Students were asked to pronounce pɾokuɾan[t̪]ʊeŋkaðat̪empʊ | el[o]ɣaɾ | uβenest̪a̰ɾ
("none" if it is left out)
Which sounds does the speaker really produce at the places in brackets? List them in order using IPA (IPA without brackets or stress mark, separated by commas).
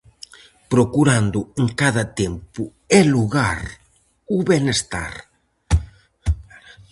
d̪, u